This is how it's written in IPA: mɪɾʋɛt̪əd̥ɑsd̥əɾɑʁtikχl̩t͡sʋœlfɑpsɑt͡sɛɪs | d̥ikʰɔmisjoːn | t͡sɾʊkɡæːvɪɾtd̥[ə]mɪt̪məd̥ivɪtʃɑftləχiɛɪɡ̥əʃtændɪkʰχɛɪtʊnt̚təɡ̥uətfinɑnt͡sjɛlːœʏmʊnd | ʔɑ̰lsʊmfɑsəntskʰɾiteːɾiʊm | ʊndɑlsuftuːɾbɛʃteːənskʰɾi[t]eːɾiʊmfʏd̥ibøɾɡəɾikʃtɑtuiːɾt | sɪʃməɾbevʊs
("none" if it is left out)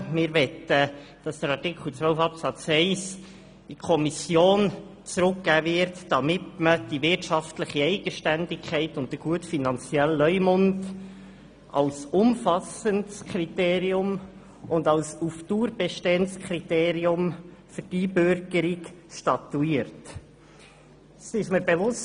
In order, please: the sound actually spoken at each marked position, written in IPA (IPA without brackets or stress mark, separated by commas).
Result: ɑ, t